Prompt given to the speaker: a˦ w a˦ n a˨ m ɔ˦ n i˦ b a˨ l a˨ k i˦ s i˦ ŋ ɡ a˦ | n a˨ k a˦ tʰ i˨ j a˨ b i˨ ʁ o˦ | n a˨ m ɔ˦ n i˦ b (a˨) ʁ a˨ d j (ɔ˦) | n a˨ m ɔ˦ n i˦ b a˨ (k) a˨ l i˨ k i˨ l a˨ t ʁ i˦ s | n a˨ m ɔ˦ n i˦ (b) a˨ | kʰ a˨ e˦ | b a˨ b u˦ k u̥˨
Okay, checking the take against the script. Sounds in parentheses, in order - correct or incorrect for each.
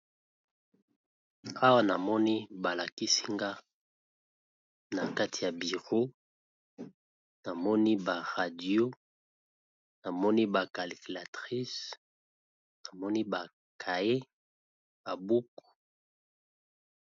correct, incorrect: o˦, correct, correct

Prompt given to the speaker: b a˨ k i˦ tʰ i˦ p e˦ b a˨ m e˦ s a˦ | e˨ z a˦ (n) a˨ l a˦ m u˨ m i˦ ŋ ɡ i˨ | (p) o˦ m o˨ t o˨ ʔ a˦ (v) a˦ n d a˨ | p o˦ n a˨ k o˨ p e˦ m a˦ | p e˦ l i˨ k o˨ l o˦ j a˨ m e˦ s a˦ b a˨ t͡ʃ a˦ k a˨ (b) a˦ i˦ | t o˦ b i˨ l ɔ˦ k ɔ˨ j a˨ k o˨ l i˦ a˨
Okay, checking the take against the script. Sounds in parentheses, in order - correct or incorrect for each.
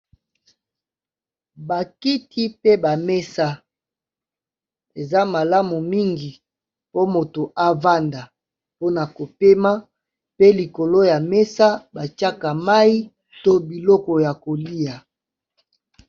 incorrect: m, correct, correct, incorrect: m

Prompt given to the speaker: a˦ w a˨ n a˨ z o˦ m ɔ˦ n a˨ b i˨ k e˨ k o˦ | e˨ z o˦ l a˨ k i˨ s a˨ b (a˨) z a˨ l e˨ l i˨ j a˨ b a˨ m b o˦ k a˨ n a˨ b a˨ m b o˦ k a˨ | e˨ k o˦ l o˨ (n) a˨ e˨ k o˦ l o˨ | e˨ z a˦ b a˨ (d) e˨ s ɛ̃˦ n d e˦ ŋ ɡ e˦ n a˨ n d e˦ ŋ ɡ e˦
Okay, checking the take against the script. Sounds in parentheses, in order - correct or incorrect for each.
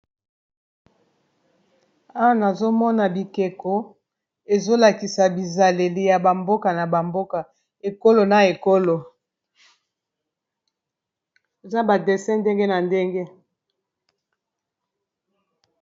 incorrect: i˨, correct, correct

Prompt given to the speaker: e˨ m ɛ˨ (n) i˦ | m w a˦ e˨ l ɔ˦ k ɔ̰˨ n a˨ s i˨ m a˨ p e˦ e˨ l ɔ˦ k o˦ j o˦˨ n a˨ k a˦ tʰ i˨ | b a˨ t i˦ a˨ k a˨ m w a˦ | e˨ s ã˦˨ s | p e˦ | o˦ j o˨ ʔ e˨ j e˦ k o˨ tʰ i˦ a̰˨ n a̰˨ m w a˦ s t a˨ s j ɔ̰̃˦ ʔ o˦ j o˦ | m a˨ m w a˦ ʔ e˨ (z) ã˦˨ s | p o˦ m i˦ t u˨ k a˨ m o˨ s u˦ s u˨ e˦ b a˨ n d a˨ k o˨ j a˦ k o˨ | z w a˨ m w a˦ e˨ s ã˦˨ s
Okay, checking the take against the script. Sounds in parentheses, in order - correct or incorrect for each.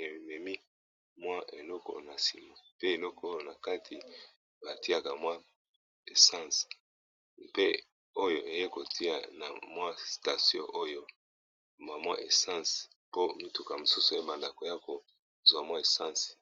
incorrect: m, incorrect: s

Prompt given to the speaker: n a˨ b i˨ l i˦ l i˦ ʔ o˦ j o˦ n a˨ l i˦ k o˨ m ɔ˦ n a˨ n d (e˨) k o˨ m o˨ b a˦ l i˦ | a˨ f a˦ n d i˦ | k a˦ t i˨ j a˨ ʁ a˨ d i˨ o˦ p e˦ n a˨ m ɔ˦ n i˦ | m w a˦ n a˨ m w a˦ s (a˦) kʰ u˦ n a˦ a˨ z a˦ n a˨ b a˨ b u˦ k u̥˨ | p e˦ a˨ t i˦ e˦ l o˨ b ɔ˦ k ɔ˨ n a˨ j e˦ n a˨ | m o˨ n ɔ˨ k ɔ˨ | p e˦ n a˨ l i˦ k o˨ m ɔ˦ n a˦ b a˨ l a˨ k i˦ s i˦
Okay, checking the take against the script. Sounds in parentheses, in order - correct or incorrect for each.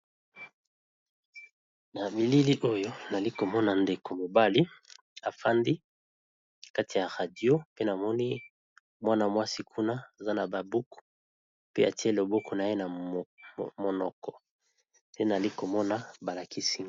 correct, incorrect: i˦

